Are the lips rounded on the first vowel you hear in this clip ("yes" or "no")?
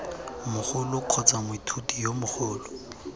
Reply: yes